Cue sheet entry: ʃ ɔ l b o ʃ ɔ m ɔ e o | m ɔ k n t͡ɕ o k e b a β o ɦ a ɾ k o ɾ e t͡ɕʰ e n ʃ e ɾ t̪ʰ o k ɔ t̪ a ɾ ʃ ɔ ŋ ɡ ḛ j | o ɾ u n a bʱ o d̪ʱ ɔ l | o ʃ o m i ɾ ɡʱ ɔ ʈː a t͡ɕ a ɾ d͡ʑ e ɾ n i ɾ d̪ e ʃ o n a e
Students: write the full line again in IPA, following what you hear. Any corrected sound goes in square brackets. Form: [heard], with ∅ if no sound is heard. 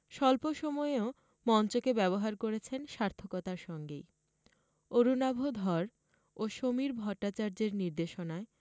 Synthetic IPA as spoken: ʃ ɔ l [p] o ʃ ɔ m ɔ e o | m ɔ [∅] n t͡ɕ o k e b [ɛ] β o ɦ a ɾ k o ɾ e t͡ɕʰ e n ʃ [a] ɾ t̪ʰ o k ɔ t̪ a ɾ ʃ ɔ ŋ ɡ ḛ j | o ɾ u n a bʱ o d̪ʱ ɔ [ɾ] | o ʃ o m i ɾ [bʱ] ɔ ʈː a t͡ɕ a ɾ d͡ʑ e ɾ n i ɾ d̪ e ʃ o n a e